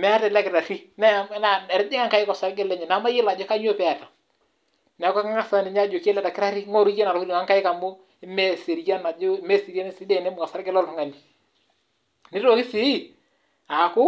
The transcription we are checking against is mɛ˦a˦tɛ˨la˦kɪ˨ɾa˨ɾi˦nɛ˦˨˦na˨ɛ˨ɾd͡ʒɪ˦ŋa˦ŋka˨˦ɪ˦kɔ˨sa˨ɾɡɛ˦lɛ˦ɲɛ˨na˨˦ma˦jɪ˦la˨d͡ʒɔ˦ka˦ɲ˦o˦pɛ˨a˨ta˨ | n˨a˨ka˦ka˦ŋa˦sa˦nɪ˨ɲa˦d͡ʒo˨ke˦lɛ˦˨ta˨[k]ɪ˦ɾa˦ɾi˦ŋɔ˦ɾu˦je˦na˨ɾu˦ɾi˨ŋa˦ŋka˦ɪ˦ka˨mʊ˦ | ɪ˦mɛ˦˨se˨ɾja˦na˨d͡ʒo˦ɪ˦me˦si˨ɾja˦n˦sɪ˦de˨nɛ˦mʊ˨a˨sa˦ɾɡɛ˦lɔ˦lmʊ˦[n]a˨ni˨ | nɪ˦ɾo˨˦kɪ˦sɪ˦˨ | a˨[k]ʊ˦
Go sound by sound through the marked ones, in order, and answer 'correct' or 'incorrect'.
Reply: correct, incorrect: ŋ, correct

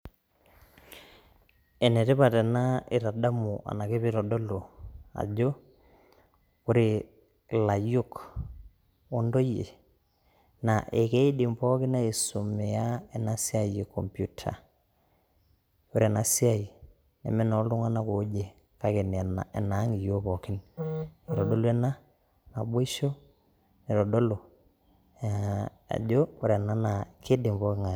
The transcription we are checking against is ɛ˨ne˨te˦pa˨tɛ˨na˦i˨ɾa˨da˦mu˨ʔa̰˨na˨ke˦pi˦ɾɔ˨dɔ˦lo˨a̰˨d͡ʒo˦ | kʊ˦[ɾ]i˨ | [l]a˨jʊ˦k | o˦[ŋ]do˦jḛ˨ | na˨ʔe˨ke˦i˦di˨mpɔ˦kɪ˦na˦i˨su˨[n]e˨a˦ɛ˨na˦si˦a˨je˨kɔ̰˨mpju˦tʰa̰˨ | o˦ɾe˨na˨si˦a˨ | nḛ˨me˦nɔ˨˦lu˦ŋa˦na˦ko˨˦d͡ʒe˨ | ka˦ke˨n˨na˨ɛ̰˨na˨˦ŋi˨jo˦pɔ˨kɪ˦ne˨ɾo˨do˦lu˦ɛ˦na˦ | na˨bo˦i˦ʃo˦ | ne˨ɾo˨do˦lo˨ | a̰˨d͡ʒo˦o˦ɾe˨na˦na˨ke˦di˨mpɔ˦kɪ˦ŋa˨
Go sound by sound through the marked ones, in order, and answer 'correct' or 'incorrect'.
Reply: correct, correct, incorrect: n, incorrect: m

